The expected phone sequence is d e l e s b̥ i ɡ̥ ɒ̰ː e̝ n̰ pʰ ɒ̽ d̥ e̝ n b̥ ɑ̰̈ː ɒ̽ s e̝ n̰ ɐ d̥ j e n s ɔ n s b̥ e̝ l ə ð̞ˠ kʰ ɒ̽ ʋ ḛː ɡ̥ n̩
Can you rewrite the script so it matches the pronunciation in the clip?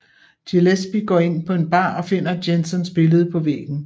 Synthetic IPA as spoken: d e l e s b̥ i ɡ̥ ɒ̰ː e̝ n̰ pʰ ɒ̽ e̝ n b̥ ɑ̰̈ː ɒ̽ f e̝ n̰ ɐ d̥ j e n s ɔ n s b̥ e̝ l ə ð̞ˠ pʰ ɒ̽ ʋ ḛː ɡ̥ n̩